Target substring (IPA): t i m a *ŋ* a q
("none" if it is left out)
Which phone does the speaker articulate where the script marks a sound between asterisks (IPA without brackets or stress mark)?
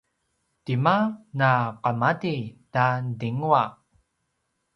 n